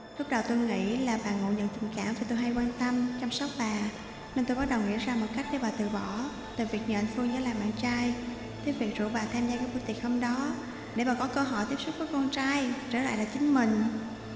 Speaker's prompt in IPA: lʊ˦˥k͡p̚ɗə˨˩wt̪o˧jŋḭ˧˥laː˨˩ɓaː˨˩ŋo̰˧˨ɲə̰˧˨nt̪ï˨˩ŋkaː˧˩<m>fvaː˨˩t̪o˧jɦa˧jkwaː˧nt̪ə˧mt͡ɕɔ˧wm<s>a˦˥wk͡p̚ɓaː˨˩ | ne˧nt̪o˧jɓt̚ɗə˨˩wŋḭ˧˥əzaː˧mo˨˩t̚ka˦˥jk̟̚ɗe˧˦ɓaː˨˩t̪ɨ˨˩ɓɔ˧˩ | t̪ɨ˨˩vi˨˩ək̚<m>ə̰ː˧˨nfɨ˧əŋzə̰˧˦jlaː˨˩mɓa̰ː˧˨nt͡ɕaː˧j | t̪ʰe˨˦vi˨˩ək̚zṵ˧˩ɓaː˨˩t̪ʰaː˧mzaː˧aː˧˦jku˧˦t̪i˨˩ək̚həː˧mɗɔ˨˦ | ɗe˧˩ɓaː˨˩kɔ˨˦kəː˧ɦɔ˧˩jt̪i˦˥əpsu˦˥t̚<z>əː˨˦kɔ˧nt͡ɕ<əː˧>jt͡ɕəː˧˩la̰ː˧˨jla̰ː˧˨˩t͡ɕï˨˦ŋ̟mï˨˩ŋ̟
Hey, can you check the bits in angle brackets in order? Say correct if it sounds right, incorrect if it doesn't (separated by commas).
correct, correct, incorrect, incorrect, incorrect